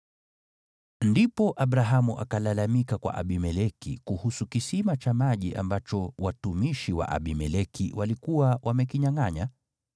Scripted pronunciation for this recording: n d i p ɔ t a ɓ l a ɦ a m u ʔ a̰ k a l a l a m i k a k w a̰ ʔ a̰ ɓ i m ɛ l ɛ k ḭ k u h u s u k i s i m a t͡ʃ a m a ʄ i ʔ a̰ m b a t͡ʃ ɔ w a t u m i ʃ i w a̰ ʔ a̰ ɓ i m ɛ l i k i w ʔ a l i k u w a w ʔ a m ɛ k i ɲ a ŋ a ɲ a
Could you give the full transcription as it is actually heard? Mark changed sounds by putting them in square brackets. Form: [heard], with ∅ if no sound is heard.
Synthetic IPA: n d i p ɔ [ʔ] a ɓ [ɾ] a ɦ a m u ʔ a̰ k a l a l a m i k a k w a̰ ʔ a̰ ɓ i m ɛ l ɛ k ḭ k u h u s u k i s i m a t͡ʃ a m a ʄ i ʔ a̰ m b a t͡ʃ ɔ w a t u m i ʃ i w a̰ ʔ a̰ ɓ i m ɛ l [ɛ] k i w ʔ a l i k u w a w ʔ a m ɛ k i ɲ a ŋ a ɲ a